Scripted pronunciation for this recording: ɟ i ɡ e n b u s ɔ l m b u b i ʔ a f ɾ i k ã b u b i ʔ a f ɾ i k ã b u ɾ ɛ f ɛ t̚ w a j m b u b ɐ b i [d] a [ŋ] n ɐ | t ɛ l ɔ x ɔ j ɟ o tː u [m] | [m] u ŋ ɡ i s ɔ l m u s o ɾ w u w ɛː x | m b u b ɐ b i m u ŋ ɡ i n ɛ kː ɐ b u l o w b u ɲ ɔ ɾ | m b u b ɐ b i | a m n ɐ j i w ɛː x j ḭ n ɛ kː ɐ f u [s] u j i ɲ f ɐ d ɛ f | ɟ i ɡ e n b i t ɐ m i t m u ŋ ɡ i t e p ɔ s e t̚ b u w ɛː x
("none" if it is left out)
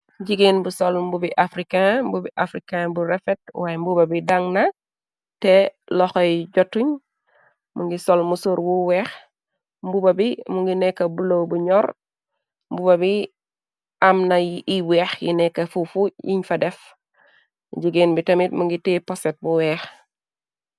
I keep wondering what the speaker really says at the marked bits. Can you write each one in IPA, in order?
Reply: d, ŋ, ɲ, m, f

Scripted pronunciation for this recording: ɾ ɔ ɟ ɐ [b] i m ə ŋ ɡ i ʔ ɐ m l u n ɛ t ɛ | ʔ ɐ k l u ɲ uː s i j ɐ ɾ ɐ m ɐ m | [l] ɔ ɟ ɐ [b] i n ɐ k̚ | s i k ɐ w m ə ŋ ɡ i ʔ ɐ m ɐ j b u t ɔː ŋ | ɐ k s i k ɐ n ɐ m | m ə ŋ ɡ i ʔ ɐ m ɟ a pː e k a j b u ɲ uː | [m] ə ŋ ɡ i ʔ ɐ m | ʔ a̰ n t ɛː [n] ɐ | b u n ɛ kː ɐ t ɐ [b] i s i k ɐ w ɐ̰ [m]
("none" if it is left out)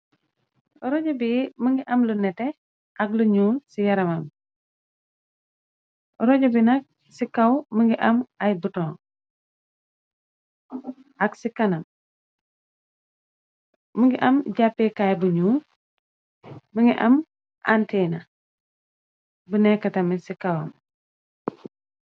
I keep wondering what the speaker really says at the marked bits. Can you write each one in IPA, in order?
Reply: b, ɾ, b, m, n, m, m

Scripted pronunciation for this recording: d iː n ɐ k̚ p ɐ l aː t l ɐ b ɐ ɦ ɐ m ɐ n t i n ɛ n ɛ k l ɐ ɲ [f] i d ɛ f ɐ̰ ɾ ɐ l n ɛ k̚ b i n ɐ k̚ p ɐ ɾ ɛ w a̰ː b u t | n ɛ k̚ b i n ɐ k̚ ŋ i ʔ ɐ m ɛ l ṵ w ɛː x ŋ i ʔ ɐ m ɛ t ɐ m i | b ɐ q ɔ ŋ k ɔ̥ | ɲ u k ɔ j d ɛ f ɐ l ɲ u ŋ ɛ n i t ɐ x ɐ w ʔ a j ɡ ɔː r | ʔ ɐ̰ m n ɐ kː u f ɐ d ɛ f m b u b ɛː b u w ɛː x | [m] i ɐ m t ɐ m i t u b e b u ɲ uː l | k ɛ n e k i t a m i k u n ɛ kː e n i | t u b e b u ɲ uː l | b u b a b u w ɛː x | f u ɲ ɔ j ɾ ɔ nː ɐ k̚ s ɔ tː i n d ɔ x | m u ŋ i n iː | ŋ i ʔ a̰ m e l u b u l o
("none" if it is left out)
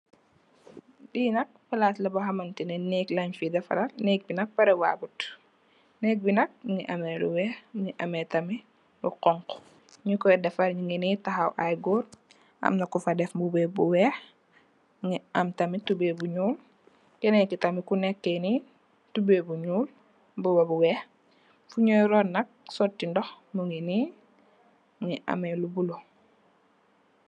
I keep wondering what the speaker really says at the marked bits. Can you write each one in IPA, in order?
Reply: f, ŋ

